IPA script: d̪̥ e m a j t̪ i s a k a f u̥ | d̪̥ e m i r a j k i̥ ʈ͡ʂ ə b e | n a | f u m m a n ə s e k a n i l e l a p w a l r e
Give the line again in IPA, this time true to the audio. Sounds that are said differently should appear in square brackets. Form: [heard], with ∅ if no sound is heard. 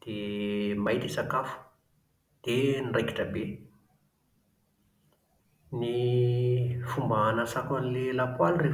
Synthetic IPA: d̪̥ e m a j t̪ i s a k a f u̥ | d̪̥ e [n] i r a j k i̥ ʈ͡ʂ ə b e | n [i] | f u m [b] a n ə s [a] k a n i l e l a p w a l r e